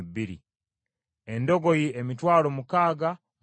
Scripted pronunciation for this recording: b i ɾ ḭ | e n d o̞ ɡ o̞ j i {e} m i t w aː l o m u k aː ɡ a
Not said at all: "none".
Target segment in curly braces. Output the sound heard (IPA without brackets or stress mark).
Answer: e